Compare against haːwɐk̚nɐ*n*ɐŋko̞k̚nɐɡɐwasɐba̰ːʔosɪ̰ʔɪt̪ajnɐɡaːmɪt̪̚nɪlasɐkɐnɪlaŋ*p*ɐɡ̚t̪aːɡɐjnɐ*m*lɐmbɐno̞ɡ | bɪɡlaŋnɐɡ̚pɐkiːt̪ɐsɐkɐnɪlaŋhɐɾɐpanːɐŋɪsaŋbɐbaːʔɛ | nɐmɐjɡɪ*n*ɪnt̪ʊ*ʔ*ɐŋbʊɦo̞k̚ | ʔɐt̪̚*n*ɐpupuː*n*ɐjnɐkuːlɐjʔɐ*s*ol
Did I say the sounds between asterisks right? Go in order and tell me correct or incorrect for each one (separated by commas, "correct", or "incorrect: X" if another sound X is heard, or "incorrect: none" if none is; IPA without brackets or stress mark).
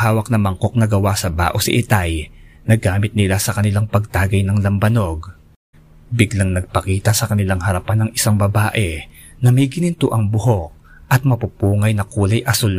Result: incorrect: m, correct, incorrect: ŋ, correct, correct, incorrect: m, incorrect: ŋ, correct